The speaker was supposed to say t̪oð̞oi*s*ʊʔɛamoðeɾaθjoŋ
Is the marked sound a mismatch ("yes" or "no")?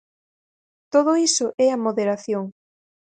no